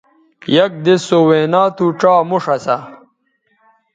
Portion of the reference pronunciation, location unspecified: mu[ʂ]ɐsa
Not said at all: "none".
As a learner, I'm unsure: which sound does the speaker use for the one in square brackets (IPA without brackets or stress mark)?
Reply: ʂ